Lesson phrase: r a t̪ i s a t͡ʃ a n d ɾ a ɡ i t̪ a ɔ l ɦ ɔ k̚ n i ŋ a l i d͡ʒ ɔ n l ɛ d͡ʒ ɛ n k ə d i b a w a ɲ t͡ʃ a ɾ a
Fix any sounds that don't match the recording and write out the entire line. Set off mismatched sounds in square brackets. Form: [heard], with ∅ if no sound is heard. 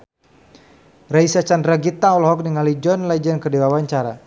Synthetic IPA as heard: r a [∅] i s a t͡ʃ a n d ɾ a ɡ i t̪ a ɔ l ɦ ɔ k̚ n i ŋ a l i d͡ʒ ɔ n l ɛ d͡ʒ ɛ n k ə d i [w] a w a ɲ t͡ʃ a ɾ a